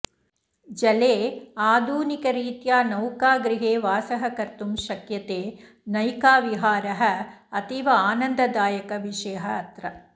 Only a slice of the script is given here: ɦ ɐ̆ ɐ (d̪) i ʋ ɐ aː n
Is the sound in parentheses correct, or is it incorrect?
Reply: incorrect